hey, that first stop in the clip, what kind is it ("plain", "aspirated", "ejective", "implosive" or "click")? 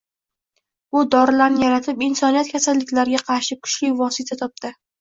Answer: plain